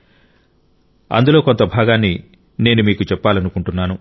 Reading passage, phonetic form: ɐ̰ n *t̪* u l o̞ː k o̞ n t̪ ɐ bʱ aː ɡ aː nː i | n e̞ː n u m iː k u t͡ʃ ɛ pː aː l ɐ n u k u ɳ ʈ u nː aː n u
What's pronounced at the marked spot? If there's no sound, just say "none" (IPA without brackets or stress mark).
d̪